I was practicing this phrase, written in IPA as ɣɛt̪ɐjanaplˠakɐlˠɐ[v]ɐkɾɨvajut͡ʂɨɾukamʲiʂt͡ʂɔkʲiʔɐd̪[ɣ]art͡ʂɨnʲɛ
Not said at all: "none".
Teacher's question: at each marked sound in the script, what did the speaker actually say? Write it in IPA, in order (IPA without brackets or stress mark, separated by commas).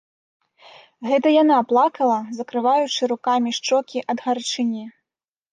z, ɣ